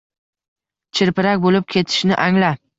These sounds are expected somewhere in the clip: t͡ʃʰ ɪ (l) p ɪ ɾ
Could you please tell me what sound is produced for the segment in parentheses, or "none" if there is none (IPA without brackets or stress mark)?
ɾ